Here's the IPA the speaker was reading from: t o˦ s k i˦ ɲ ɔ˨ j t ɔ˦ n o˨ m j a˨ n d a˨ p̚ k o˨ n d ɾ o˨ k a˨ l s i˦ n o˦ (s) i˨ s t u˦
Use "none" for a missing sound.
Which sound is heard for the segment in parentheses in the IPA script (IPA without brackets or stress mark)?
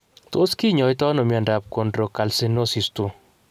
s